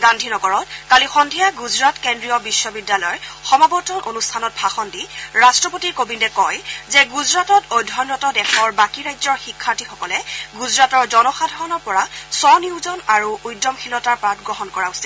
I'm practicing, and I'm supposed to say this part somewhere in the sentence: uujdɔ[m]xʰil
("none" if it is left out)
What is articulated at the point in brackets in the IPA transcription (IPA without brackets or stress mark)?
m